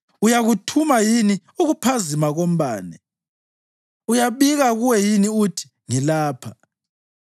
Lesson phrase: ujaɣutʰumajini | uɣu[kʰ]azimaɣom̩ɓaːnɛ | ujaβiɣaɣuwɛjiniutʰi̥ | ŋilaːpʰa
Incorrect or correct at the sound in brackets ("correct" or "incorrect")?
incorrect